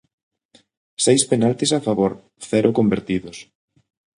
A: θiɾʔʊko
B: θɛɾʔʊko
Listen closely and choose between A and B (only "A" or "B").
B